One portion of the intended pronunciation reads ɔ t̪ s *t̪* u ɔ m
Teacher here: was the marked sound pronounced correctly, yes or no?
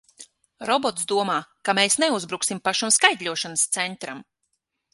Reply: no